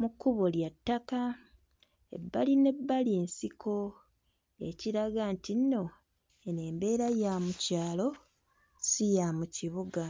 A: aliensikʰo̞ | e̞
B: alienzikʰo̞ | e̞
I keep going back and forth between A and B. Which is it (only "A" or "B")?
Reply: A